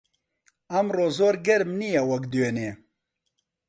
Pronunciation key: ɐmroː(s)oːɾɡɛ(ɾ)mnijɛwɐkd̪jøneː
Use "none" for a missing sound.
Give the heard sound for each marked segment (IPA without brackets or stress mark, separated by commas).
z, ɾ